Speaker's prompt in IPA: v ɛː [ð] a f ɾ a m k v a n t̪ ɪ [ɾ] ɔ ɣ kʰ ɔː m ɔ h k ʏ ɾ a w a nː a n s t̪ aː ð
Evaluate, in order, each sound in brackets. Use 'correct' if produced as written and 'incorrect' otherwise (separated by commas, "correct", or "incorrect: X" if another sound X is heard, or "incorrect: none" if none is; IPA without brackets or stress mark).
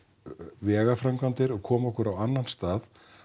incorrect: ɣ, correct